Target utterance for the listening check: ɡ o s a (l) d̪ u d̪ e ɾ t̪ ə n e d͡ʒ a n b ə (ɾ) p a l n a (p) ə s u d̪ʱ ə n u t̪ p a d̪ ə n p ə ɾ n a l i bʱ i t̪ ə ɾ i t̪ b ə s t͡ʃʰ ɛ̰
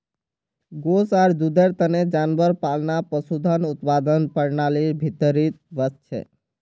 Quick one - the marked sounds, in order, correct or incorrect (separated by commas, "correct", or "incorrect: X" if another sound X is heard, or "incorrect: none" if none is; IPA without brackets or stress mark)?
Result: incorrect: ɾ, correct, correct